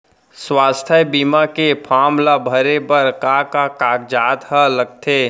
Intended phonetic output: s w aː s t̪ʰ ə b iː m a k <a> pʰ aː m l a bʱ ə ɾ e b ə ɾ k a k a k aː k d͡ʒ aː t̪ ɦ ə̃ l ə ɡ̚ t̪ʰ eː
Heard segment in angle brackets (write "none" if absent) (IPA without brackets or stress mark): e